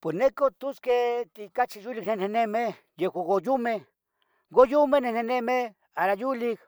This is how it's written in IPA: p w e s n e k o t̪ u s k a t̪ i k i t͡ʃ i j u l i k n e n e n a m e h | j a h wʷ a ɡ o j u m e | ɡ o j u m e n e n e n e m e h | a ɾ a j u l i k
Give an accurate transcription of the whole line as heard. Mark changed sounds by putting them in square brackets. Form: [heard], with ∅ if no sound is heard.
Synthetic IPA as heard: p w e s n e k o t̪ u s k [e] t̪ i k [a] t͡ʃ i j u l i k n e n e n [e] m e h | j [e] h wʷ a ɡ o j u m e | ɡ o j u m e n e n e n e m e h | a ɾ a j u l i k

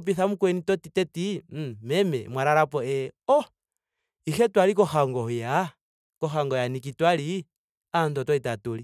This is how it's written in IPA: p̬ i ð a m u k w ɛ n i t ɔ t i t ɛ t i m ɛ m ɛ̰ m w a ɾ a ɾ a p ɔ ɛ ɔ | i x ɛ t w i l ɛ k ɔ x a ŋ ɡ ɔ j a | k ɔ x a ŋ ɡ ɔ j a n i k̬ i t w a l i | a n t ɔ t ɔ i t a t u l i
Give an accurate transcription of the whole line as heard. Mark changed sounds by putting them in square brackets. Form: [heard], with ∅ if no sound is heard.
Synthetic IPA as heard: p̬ i [θ] a m u k w ɛ n i t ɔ t i t ɛ t i m ɛ m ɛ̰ m w a ɾ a ɾ a p ɔ ɛ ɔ | i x ɛ t w [a] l [i] k ɔ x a ŋ ɡ ɔ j a | k ɔ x a ŋ ɡ ɔ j a n i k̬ i t w a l i | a n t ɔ t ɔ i t a t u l i

